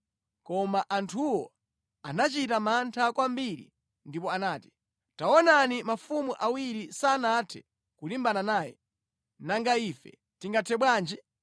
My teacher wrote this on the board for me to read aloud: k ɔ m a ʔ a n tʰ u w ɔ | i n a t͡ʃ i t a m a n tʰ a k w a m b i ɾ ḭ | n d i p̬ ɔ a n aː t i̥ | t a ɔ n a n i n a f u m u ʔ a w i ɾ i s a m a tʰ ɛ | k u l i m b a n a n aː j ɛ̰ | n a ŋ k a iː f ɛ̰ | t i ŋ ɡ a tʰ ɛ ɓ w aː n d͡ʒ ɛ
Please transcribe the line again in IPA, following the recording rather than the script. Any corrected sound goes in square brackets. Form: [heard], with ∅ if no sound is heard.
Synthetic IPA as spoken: k ɔ m a ʔ a n tʰ u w ɔ | [a] n a t͡ʃ i t a m a n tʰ a k w a m b i ɾ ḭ | n d i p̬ ɔ a n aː t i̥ | t a ɔ n a n i [m] a f u m u ʔ a w i ɾ i s a [n] a tʰ ɛ | k u l i m b a n a n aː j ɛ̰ | n a ŋ [ɡ] a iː f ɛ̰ | t i ŋ ɡ a tʰ ɛ ɓ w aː n d͡ʒ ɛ